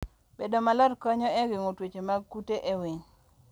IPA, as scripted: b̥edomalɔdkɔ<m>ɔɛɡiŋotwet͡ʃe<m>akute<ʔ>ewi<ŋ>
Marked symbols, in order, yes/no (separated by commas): no, yes, yes, yes